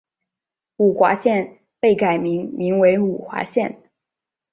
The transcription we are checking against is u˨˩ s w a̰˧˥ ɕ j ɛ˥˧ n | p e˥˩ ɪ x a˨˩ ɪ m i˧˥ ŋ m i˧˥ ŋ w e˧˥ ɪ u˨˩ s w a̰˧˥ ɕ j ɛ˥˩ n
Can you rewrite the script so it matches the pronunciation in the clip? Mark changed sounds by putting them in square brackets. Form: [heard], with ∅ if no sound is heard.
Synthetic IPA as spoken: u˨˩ [x] w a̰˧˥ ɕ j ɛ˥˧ n | p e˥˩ ɪ [k] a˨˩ ɪ m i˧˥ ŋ m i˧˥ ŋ w e˧˥ ɪ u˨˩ [x] w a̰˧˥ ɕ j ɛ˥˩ n